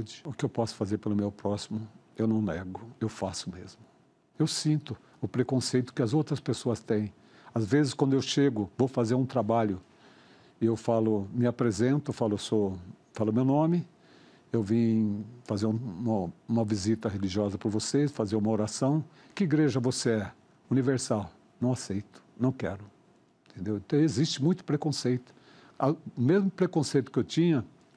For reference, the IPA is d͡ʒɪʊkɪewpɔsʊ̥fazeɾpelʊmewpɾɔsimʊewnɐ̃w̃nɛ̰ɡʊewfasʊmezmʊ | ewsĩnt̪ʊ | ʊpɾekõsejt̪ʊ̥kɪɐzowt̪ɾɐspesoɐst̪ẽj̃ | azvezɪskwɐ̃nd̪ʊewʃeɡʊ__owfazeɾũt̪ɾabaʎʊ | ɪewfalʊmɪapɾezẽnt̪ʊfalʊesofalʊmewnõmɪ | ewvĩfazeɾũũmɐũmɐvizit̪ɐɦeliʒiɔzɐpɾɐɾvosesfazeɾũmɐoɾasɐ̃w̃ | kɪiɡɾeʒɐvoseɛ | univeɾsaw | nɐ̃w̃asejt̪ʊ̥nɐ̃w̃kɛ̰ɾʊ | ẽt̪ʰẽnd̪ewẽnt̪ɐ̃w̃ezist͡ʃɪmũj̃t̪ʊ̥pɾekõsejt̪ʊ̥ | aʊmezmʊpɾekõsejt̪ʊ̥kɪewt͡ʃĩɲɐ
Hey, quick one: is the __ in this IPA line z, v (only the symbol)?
v